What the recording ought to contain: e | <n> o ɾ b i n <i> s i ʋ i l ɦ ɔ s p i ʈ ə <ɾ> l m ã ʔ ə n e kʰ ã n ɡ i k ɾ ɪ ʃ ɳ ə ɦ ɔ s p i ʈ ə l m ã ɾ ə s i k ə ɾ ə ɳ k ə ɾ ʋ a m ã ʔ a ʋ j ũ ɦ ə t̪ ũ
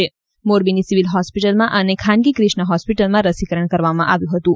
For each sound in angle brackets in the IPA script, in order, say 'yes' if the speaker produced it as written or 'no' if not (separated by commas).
no, yes, no